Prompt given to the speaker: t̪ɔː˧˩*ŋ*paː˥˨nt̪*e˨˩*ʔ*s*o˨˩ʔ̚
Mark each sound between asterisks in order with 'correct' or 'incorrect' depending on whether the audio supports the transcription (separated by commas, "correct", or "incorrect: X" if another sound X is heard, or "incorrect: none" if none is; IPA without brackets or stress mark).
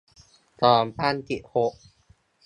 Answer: incorrect: m, incorrect: i˨˩, incorrect: h